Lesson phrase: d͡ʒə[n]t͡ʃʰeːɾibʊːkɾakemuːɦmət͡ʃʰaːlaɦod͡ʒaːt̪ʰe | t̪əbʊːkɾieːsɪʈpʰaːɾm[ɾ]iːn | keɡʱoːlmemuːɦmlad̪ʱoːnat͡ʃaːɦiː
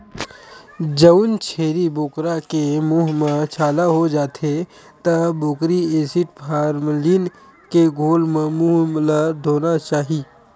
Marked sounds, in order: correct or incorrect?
correct, incorrect: l

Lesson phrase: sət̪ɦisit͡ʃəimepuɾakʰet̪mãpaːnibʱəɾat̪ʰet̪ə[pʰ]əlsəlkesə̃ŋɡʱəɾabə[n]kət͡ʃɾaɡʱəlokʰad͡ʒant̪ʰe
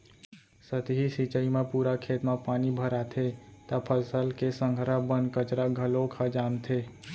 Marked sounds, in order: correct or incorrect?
correct, correct

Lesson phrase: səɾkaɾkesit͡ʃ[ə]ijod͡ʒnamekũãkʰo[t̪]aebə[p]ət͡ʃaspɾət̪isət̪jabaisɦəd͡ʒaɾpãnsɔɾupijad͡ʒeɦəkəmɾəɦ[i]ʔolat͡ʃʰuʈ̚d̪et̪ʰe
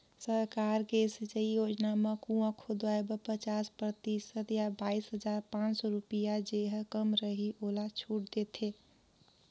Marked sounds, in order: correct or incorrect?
correct, incorrect: d̪, correct, correct

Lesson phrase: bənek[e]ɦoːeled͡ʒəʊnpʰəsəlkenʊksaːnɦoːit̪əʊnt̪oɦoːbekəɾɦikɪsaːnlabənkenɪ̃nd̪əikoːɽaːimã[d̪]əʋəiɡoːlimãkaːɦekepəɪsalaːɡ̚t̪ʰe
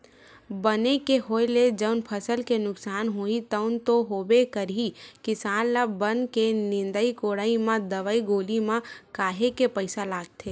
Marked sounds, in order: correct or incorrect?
correct, correct

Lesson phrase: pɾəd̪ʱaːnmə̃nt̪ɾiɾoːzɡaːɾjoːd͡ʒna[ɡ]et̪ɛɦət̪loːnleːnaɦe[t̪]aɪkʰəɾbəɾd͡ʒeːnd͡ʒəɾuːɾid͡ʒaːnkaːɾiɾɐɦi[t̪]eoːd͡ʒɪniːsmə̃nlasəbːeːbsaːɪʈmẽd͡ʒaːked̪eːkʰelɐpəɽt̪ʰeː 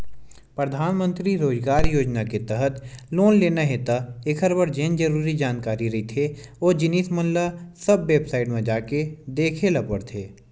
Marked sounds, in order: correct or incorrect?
incorrect: k, correct, incorrect: t̪ʰ

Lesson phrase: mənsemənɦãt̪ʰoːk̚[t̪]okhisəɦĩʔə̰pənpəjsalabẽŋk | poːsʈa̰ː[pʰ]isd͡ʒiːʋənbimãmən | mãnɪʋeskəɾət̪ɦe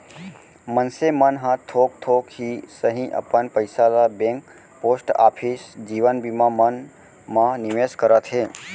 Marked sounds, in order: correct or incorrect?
incorrect: t̪ʰ, correct

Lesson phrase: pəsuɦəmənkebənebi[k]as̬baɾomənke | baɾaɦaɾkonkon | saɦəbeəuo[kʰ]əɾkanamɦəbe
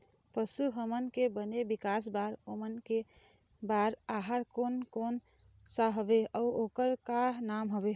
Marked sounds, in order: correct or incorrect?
correct, incorrect: k

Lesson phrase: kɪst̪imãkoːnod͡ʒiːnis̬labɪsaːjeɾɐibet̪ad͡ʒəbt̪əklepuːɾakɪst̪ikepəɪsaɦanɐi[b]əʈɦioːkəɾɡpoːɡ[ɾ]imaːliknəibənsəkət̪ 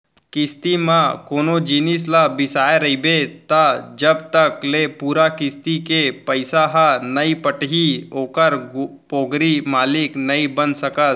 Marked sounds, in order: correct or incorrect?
incorrect: p, correct

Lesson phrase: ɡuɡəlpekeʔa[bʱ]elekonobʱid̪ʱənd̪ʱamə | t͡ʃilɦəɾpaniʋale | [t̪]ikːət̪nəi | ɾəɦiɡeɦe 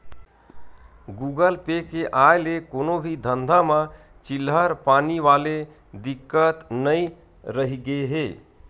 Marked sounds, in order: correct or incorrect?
incorrect: none, incorrect: d̪

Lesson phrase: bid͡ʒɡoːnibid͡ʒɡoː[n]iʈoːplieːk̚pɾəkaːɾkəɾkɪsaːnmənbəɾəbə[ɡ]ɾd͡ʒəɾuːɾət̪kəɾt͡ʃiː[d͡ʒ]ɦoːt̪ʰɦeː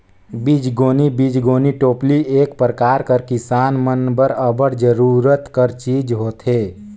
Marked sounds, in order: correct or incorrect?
correct, incorrect: none, correct

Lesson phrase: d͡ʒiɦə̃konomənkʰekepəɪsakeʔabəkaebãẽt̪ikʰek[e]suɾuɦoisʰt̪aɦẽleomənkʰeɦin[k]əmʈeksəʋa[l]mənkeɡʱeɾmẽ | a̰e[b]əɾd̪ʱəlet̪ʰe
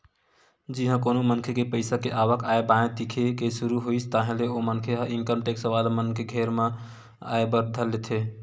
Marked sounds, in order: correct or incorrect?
correct, correct, correct, correct

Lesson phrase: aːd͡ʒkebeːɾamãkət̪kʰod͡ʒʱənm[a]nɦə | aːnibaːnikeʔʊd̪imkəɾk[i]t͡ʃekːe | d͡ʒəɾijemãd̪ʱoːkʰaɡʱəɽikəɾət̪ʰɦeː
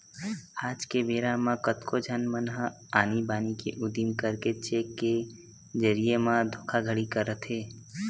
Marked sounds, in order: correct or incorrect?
incorrect: ə, incorrect: e

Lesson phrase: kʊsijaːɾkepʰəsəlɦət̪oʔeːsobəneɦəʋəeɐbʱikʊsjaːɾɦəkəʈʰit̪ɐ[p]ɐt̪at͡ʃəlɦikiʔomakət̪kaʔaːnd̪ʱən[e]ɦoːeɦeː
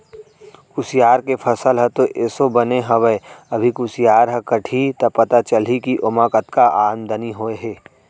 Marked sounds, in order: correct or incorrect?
correct, incorrect: i

